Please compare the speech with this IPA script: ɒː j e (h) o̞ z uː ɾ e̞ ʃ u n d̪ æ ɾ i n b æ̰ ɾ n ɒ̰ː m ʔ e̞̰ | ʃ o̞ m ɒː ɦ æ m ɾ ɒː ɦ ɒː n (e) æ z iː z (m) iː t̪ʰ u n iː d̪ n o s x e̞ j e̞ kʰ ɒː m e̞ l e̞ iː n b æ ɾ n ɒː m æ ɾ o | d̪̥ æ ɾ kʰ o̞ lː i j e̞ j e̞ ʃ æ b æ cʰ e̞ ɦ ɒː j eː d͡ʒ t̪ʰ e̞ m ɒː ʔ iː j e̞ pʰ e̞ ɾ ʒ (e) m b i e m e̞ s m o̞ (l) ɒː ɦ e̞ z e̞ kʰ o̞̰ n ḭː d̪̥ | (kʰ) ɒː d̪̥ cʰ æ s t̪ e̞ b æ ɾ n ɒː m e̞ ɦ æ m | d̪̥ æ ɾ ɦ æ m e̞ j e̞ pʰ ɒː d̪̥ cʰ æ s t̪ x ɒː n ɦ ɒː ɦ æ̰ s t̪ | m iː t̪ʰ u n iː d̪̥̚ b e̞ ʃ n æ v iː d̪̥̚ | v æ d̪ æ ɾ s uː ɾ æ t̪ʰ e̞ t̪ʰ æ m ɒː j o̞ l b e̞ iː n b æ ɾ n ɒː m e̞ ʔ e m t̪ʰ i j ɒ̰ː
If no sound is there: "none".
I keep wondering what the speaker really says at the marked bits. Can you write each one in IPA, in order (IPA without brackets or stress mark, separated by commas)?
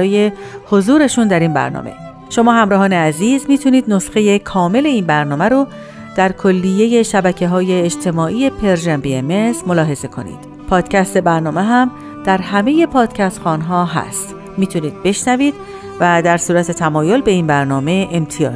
h, e, m, æ, l, pʰ